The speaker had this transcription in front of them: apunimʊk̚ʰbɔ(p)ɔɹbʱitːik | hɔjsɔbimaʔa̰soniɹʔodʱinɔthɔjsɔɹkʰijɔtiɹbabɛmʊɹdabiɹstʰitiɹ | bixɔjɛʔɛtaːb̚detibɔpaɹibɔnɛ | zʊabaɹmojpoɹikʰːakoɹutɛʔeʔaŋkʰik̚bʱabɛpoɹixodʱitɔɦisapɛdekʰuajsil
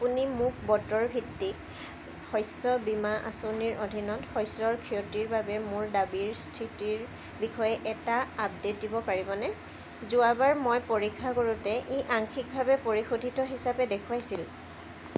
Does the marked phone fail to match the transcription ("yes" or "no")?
yes